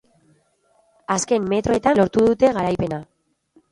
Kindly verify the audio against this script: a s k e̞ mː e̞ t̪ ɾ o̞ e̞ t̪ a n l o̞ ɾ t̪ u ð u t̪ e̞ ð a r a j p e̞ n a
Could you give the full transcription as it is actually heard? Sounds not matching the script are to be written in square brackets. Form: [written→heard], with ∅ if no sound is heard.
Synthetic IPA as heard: a s k e̞ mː e̞ t̪ ɾ o̞ e̞ t̪ a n l o̞ ɾ t̪ u ð u t̪ e̞ [ð→ɣ] a [r→ɾ] a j p e̞ n a

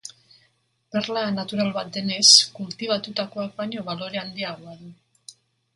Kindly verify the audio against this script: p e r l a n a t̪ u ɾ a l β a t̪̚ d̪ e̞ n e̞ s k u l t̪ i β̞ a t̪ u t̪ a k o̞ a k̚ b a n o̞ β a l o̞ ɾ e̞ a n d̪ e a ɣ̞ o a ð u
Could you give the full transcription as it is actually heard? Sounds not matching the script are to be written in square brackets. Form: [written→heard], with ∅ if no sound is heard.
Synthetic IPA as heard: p e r l a n a t̪ u ɾ a l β a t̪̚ d̪ e̞ n e̞ s k u l t̪ i β̞ a t̪ u t̪ a k o̞ a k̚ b a [n→ɲ] o̞ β a l o̞ ɾ e̞ a n d̪ [e→i] a ɣ̞ o a ð u

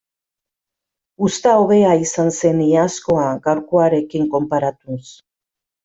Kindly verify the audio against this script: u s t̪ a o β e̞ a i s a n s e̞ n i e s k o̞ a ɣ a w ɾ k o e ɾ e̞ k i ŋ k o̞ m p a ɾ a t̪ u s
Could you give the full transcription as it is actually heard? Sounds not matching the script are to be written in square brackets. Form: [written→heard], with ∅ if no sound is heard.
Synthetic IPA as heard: u s t̪ a o β e̞ a i s a n s e̞ n i [e→a] s k o̞ a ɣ a w ɾ k o [e→a] ɾ e̞ k i ŋ k o̞ m p a ɾ a t̪ u s

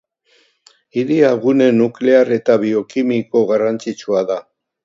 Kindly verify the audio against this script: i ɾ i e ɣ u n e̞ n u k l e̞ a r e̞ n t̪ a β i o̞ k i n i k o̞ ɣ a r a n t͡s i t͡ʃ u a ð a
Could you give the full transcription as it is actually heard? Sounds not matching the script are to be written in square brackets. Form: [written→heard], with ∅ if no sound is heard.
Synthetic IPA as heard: i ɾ i [e→a] ɣ u n e̞ n u k l e̞ a r e̞ [n→∅] t̪ a β i o̞ k i [n→m] i k o̞ ɣ a r a n t͡s i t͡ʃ u a ð a

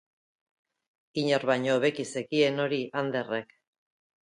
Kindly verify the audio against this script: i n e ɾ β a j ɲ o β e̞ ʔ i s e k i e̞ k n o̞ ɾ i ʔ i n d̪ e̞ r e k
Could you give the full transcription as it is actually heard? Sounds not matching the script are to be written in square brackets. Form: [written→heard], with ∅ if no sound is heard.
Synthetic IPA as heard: i [n→ɲ] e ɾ β a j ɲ o β e̞ [ʔ→k] i s e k i e̞ [k→∅] n o̞ ɾ i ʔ [i→a] n d̪ e̞ r e k

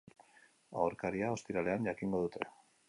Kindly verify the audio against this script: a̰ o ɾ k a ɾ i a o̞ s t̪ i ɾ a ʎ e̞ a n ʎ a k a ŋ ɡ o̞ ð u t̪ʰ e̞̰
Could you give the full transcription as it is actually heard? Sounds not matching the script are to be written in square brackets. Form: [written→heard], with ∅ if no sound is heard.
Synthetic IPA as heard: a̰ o ɾ k a ɾ i a o̞ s t̪ i ɾ a [ʎ→l] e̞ a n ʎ a k [a→i] ŋ ɡ o̞ ð u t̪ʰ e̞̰

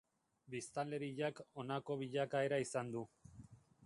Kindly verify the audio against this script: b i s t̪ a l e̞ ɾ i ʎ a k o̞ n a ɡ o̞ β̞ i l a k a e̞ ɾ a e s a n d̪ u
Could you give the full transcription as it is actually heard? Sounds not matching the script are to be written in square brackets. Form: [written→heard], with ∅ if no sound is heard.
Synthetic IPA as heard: b i s t̪ a l e̞ ɾ i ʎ a k o̞ n a [ɡ→k] o̞ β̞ i [l→ʎ] a k a e̞ ɾ a [e→i] s a n d̪ u

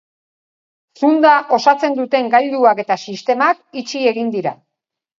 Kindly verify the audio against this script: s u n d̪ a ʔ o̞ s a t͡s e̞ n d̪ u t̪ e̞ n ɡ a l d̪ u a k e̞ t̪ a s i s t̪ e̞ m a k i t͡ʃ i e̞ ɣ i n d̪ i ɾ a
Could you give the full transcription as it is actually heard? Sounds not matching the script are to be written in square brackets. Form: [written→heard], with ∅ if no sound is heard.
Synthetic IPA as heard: s u n d̪ a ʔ o̞ s a t͡s e̞ n d̪ u t̪ e̞ [n→ŋ] ɡ a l d̪ u a k e̞ t̪ a s i s t̪ e̞ m a k i t͡ʃ i e̞ ɣ i n d̪ i ɾ a

